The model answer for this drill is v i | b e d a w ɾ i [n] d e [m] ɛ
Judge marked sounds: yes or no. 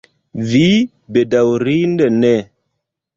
yes, no

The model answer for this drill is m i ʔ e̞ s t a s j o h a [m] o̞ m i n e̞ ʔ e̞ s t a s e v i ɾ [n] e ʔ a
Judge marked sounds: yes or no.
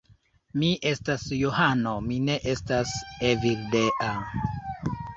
no, no

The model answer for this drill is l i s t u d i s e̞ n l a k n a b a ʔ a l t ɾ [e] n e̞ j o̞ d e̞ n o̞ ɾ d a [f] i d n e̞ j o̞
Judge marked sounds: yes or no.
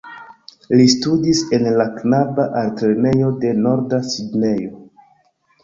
yes, no

